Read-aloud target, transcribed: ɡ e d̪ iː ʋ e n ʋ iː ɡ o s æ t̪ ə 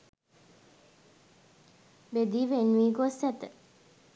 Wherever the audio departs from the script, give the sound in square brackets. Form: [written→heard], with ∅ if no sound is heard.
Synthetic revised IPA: [ɡ→b] e d̪ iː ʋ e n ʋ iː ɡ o s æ t̪ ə